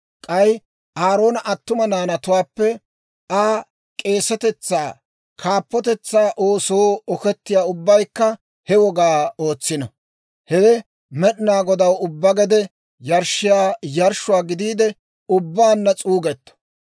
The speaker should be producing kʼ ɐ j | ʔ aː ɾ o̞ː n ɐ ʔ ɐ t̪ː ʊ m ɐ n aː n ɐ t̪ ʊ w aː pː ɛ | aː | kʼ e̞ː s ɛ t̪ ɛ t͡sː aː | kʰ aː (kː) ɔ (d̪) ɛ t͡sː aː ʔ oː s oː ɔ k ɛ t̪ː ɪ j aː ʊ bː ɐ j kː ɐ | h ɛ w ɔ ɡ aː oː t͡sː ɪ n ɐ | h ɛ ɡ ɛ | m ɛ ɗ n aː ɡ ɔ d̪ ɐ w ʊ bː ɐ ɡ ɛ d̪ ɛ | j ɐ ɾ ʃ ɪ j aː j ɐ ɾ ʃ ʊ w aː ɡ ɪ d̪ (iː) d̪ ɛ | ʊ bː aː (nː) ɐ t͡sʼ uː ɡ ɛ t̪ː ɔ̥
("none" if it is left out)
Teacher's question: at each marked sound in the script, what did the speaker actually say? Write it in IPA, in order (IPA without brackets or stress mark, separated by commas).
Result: pː, t̪, iː, nː